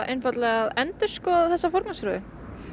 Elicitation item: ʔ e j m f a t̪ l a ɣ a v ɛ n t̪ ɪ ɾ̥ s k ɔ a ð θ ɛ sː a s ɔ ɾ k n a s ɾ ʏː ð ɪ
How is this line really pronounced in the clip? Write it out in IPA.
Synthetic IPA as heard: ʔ e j n f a t̪ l ɛ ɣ a ð ɛ n t̪ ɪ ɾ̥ s k ɔ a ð θ ɛ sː a f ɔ ɾ k n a s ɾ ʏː ð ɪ